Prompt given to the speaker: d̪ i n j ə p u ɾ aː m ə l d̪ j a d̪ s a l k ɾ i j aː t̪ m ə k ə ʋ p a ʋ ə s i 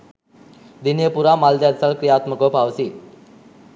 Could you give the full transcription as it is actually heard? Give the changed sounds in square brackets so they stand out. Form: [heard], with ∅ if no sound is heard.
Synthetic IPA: d̪ i n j ə p u ɾ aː m [a] l d̪ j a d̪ s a l k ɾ i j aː t̪ m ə k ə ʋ p a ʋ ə s i